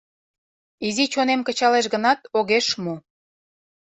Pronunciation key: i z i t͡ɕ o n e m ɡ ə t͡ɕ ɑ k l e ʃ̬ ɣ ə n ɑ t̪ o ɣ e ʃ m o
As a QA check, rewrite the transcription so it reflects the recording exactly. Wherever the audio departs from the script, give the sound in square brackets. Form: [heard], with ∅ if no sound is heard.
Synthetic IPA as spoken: i z i t͡ɕ o n e m [k] ə t͡ɕ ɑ [∅] l e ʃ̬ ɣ ə n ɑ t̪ o ɣ e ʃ m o

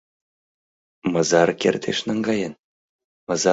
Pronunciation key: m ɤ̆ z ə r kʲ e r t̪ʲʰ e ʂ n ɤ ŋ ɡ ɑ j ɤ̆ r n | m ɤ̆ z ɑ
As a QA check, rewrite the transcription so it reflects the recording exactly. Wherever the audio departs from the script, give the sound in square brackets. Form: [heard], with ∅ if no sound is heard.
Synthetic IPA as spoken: m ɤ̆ z [ɑ] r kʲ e r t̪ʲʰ e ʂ n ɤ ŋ ɡ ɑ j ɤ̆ [∅] n | m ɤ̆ z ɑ

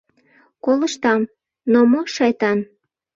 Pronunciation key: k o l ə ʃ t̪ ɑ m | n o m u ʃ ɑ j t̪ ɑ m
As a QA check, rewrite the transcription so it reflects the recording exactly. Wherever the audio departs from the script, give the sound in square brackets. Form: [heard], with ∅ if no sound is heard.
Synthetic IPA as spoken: k o l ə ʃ t̪ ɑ m | n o m [o] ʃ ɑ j t̪ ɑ [n]

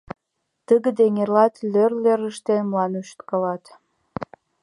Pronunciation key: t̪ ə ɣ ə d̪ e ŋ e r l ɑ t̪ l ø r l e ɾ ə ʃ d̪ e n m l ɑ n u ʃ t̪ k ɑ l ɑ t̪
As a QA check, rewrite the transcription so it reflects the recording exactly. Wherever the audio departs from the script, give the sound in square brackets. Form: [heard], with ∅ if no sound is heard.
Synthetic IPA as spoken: t̪ ə ɣ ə d̪ e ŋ e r l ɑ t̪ l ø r l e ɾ ə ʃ [t̪] e n m l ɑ n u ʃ t̪ k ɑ l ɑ t̪

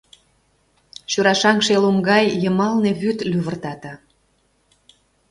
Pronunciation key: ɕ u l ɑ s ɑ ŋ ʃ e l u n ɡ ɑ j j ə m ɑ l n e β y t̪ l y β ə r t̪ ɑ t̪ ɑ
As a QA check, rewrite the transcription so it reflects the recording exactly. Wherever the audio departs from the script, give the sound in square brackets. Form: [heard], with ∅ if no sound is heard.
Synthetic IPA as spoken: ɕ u [ɾ] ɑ [ʃ] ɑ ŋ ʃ e l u [m] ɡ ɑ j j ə m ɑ l n e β y t̪ l y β ə r t̪ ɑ t̪ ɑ

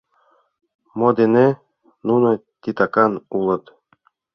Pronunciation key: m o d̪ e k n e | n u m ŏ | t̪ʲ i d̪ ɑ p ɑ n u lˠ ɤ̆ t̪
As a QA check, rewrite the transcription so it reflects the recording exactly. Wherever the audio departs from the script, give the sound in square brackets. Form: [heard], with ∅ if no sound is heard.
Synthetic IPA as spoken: m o d̪ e [∅] n e | n u [n] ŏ | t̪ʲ i [t̪] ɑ [k] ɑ n u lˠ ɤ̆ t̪

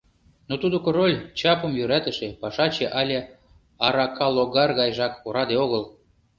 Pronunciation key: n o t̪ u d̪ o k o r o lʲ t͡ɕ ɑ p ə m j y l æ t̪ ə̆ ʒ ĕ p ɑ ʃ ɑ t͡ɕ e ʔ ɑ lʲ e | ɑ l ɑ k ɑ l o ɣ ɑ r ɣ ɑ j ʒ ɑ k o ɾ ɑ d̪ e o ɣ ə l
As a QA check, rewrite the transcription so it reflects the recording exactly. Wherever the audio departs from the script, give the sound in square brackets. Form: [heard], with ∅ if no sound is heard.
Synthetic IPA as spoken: n o t̪ u d̪ o k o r o lʲ t͡ɕ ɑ p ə m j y [ɾ] æ t̪ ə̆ [ʃ] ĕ p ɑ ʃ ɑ t͡ɕ e ʔ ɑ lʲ e | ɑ [ɾ] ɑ k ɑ l o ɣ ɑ r ɣ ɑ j ʒ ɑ k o ɾ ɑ d̪ e o ɣ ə l

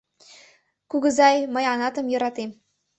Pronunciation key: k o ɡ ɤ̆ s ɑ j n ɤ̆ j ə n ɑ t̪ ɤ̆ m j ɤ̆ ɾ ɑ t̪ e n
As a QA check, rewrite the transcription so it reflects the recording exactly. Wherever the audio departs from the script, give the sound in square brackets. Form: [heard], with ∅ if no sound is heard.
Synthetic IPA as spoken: k [u] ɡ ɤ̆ [z] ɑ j [m] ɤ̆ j [ɑ] n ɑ t̪ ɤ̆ m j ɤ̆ ɾ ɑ t̪ e [m]

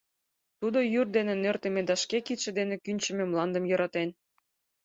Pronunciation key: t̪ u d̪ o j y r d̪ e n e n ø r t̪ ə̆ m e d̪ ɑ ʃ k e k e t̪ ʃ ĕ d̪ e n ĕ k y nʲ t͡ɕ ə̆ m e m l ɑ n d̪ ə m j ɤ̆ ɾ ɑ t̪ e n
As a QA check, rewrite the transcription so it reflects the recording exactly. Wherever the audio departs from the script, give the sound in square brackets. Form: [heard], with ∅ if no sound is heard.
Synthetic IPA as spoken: t̪ u d̪ o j y r d̪ e n e n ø r t̪ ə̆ m e d̪ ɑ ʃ k e k [i] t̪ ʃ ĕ d̪ e n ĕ k y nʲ t͡ɕ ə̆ m e m l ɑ n d̪ ə m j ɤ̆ ɾ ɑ t̪ e n

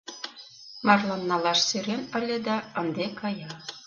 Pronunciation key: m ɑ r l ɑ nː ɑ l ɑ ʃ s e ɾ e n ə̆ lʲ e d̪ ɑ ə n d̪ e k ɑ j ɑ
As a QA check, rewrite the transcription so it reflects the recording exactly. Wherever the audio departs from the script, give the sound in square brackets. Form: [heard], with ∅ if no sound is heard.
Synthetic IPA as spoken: m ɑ r l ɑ nː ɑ l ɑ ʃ s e ɾ e n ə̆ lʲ e d̪ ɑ ə n d̪ e k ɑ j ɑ

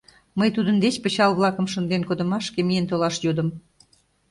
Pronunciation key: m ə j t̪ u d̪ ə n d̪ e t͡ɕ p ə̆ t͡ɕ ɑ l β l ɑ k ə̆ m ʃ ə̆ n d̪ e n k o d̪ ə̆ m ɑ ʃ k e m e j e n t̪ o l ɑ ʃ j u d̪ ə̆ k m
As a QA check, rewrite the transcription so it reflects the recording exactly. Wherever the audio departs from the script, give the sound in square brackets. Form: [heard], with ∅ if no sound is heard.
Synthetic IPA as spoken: m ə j t̪ u d̪ ə n d̪ e t͡ɕ p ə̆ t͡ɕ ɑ l β l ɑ k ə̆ m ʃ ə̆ n d̪ e n k o d̪ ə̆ m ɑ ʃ k e m [i] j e n t̪ o l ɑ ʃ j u d̪ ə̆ [∅] m

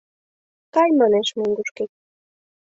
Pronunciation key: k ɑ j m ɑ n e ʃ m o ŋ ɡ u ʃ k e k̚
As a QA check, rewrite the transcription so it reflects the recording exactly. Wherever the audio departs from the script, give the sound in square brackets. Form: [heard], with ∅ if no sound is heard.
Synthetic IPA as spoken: k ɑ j m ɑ n e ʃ m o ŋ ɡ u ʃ k e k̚

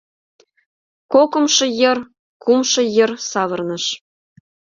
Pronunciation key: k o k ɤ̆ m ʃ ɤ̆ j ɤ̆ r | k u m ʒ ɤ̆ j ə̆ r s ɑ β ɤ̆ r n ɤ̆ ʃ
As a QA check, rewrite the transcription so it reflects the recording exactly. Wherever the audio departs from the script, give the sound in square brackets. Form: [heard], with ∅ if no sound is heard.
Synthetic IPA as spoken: k o k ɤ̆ m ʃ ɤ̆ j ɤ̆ r | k u m [ʃ] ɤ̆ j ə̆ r s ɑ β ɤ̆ r n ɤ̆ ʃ

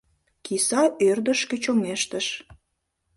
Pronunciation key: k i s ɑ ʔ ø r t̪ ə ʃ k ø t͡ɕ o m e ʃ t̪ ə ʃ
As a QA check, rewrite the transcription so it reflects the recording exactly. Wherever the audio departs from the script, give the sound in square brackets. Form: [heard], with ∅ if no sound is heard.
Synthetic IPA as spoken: k i s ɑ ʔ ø r [d̪] ə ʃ k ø t͡ɕ o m e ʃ t̪ ə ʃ

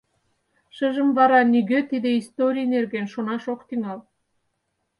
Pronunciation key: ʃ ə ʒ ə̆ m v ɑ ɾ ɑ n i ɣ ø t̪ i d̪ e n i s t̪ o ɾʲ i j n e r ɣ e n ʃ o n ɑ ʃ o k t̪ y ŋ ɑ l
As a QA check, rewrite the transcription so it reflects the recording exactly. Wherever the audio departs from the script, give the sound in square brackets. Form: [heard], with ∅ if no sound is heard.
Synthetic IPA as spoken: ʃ ə ʒ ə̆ m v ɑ ɾ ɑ n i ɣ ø t̪ i d̪ e [∅] i s t̪ o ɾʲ i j n e r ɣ e n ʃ o n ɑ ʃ o k t̪ y ŋ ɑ l

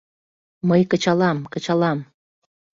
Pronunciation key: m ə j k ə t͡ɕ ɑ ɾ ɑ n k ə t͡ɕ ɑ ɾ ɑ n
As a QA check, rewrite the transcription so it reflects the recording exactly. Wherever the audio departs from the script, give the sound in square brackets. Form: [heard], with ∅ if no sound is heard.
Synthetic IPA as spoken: m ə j k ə t͡ɕ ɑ [l] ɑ [m] k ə t͡ɕ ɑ [l] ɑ [m]

